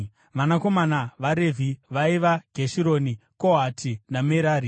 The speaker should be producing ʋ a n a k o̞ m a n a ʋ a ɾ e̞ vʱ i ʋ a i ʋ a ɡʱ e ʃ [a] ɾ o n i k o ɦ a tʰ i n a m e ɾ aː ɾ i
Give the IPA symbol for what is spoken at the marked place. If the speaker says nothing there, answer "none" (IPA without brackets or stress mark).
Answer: i